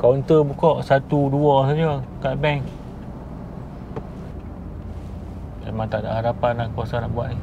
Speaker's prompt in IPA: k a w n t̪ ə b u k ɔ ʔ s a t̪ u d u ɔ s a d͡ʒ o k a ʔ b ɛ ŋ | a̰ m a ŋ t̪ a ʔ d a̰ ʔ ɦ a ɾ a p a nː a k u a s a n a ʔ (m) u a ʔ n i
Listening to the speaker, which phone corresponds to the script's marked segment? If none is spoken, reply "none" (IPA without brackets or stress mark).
b